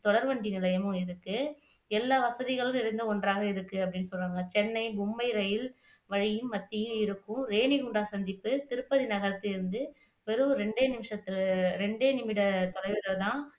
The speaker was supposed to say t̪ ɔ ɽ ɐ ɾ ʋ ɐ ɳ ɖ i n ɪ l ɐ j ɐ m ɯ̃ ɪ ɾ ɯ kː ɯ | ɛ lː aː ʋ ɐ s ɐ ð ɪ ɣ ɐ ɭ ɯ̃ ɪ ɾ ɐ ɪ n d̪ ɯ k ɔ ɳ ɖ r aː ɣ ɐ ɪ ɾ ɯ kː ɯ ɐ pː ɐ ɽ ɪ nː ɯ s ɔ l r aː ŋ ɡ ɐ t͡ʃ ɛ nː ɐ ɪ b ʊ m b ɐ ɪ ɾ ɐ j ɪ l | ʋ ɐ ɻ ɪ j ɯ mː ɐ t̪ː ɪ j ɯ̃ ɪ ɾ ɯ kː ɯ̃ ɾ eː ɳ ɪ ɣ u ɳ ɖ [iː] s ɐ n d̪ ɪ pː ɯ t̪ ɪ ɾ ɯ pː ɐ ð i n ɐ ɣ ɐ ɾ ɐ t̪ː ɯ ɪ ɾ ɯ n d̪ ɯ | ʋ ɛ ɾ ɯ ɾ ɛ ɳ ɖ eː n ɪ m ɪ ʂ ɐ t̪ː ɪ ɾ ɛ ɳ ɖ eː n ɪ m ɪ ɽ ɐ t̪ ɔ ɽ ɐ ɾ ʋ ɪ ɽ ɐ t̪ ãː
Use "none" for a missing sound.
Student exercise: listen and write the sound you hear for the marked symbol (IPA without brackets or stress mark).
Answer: aː